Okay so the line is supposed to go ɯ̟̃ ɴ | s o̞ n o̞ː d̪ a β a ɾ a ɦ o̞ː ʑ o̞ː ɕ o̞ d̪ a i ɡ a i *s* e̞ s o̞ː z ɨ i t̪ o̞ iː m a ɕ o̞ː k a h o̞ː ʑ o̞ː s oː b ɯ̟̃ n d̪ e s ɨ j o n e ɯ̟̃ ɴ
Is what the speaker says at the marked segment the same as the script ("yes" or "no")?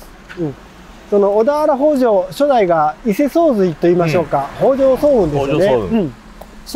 yes